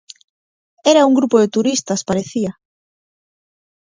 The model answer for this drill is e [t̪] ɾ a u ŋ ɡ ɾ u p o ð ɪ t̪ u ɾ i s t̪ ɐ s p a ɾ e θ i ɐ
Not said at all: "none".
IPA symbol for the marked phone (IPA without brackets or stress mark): none